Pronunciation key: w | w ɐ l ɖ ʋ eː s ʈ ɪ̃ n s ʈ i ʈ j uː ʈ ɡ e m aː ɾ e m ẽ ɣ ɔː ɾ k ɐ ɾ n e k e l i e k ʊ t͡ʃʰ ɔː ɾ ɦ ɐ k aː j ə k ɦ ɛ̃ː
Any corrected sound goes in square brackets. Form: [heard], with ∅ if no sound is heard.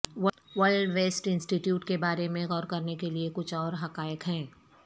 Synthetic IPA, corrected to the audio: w | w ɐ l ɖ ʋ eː s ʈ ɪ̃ n s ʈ i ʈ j uː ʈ [k] e [b] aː ɾ e m ẽ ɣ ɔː ɾ k ɐ ɾ n e k e l i e k ʊ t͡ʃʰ ɔː ɾ ɦ ɐ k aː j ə k ɦ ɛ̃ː

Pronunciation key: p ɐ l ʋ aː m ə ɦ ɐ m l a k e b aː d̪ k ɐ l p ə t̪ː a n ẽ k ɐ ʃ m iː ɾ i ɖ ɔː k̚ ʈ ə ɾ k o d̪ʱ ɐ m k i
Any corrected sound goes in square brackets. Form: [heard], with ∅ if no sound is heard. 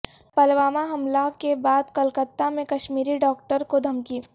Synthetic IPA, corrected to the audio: p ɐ l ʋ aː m [a] ɦ ɐ m l a k e b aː d̪ k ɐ l [k] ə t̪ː a [m] ẽ k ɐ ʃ m iː ɾ i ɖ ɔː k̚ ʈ ə ɾ k o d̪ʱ ɐ m k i

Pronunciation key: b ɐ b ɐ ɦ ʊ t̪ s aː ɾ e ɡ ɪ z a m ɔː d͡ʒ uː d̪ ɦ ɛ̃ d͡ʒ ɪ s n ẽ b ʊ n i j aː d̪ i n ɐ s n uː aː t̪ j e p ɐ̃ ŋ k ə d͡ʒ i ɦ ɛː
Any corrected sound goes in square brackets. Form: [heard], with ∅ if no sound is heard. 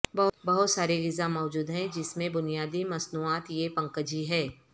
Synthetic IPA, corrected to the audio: b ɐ b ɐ ɦ ʊ t̪ s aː ɾ e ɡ ɪ z a m ɔː d͡ʒ uː d̪ ɦ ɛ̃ d͡ʒ ɪ s [m] ẽ b ʊ n i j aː d̪ i [m] ɐ s n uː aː t̪ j e p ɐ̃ ŋ k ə d͡ʒ i ɦ ɛː

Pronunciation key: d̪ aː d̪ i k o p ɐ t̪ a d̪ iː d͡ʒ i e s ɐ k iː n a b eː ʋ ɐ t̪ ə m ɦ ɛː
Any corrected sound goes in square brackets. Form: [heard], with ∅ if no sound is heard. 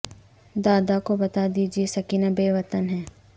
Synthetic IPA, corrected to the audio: d̪ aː d̪ [a] k o [b] ɐ t̪ a d̪ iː d͡ʒ i e s ɐ k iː n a b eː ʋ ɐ t̪ ə [n] ɦ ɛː

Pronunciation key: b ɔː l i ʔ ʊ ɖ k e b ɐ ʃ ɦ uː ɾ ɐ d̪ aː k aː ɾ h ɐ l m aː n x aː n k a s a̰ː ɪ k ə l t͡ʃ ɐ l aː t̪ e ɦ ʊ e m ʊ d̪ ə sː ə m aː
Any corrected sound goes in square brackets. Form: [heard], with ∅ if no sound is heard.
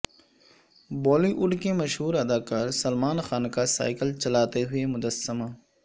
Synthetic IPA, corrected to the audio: b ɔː l i ʔ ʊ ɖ k e [m] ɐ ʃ ɦ uː ɾ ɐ d̪ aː k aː ɾ [s] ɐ l m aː n x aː n k a s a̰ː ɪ k ə l t͡ʃ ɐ l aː t̪ e ɦ ʊ e m ʊ d̪ ə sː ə m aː

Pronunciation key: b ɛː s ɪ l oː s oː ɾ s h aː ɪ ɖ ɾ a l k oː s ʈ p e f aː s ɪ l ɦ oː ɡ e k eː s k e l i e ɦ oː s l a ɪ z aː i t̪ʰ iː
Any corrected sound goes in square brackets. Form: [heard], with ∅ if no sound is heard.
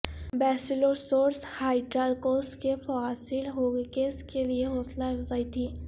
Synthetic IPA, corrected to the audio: b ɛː s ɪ l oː s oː ɾ s h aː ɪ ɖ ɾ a l k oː s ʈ [k] e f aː s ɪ l ɦ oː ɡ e k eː s k e l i e ɦ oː s l a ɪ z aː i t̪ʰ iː

